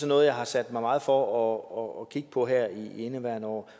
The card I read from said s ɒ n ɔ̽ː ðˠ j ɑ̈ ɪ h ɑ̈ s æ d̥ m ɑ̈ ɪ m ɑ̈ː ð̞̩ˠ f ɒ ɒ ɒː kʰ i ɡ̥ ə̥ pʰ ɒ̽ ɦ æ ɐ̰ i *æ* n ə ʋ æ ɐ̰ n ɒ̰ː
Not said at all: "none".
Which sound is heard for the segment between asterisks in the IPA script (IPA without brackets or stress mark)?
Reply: e